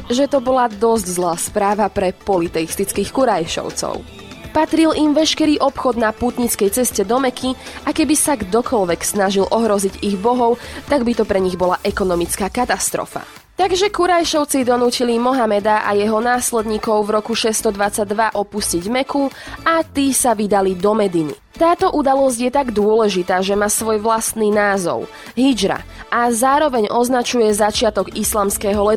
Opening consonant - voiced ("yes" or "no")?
yes